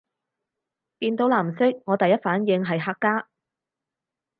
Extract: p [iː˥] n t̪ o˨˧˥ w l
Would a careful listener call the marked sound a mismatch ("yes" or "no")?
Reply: yes